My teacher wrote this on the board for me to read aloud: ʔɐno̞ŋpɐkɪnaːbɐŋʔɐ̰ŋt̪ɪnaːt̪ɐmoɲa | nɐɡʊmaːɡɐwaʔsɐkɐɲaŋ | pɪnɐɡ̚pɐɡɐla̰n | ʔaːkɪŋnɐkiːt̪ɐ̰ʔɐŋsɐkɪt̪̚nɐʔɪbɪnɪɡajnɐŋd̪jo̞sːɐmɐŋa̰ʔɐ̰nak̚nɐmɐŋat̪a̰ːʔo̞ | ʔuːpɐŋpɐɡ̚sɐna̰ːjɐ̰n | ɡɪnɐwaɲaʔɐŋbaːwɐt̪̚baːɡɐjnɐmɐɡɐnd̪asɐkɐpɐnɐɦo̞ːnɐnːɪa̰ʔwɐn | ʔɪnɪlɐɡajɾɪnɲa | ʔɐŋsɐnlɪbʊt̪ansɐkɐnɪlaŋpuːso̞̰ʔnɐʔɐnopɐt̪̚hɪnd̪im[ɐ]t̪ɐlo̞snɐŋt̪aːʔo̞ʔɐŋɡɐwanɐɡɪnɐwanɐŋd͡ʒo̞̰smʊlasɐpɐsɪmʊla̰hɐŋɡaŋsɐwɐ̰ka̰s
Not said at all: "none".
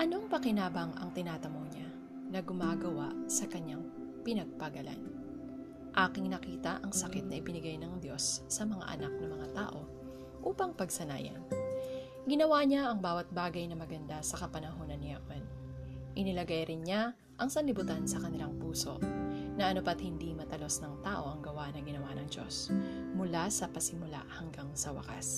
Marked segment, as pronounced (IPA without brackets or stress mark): ɐ